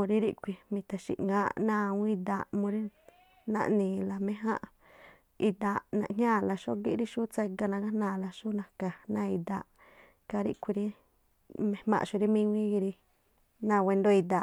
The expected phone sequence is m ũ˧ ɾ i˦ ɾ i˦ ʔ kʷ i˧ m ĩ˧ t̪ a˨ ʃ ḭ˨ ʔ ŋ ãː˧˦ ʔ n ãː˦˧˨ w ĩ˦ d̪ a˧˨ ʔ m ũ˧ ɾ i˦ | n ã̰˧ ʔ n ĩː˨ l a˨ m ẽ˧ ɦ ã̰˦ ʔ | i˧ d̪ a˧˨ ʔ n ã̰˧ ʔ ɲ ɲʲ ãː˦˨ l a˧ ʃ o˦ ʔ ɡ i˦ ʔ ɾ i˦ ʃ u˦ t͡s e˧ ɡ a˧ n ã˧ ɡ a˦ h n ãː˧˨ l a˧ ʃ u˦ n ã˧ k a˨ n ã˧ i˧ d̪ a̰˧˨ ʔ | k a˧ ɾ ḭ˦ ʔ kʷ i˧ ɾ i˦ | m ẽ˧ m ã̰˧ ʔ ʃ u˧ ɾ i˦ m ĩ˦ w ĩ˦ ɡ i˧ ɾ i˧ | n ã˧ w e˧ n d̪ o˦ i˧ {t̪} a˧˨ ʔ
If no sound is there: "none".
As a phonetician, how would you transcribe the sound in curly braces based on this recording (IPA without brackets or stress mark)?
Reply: d̪